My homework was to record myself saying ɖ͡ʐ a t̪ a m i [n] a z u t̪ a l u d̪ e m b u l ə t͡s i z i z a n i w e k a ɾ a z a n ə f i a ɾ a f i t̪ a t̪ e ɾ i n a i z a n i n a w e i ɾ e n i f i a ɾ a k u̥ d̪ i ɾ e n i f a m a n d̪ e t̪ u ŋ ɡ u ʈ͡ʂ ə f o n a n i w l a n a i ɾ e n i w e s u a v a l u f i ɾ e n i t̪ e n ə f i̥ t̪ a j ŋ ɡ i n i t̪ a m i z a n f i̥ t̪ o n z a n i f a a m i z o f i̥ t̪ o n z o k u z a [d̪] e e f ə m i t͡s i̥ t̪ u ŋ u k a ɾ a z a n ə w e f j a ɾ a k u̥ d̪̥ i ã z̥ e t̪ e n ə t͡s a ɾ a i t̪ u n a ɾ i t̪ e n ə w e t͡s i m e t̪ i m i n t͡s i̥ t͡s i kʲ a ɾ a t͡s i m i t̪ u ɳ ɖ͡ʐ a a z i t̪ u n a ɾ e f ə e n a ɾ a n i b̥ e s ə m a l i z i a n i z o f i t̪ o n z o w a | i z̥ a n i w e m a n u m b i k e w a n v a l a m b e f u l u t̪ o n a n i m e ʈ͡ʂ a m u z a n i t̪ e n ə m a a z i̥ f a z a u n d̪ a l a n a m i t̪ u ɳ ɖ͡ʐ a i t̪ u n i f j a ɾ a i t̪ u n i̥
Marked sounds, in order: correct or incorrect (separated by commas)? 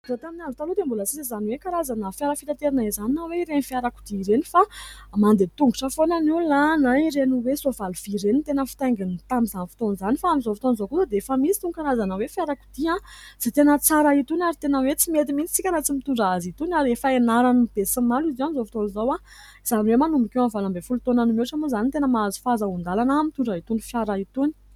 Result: correct, correct